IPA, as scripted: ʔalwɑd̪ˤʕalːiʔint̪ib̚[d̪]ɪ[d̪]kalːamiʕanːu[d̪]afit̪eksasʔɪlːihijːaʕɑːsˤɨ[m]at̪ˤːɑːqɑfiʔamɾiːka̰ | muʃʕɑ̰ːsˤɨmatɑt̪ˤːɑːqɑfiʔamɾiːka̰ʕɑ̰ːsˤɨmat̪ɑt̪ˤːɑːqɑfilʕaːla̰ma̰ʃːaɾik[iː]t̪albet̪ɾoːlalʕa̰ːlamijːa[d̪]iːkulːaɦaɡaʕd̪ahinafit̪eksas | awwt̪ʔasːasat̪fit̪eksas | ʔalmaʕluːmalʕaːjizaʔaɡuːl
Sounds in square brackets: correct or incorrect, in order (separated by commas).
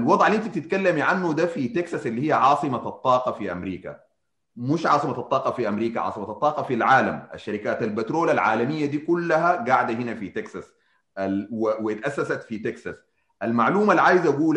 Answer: incorrect, incorrect, correct, correct, incorrect, correct